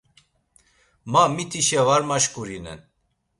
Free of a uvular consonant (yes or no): yes